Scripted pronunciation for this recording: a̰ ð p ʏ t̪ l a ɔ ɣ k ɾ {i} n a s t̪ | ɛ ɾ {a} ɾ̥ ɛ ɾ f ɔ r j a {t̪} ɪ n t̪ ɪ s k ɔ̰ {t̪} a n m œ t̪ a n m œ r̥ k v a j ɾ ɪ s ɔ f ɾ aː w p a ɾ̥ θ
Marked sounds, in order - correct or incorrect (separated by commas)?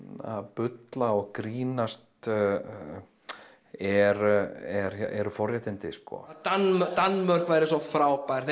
incorrect, incorrect, correct, correct